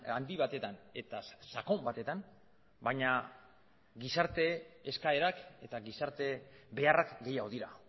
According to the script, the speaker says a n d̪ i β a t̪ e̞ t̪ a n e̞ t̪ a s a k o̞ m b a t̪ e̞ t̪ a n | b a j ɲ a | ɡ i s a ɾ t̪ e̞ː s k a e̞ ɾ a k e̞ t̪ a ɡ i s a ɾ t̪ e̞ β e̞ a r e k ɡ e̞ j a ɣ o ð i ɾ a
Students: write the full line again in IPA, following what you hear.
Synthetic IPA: a n d̪ i β a t̪ e̞ t̪ a n e̞ t̪ a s a k o̞ m b a t̪ e̞ t̪ a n | b a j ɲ a | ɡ i s a ɾ t̪ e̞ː s k a e̞ ɾ a k e̞ t̪ a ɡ i s a ɾ t̪ e̞ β e̞ a r a k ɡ e̞ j a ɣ o ð i ɾ a